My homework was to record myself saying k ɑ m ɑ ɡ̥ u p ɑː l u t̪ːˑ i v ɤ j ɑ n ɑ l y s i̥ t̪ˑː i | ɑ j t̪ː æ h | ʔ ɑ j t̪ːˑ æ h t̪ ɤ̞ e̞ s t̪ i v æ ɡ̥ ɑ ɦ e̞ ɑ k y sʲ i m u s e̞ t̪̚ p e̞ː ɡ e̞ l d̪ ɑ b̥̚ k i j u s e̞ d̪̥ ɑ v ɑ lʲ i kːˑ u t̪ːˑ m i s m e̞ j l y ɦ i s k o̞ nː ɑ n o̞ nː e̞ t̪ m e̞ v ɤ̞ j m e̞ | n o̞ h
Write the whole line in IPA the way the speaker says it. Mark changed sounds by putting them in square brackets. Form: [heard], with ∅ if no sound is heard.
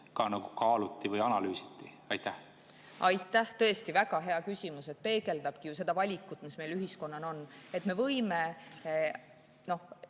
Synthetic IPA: k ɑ [n] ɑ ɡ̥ u [k] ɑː l u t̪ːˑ i v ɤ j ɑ n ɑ l [yː] s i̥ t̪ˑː i | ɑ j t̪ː æ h | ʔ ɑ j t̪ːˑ æ h t̪ ɤ̞ e̞ s t̪ i v æ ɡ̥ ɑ ɦ e̞ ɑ k y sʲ i m u s e̞ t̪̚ p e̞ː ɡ e̞ l d̪ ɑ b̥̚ k i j u s e̞ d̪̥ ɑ v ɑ lʲ i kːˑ u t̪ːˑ m i s m e̞ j l y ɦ i s k o̞ nː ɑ n o̞ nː e̞ t̪ m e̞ v ɤ̞ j m e̞ | n o̞ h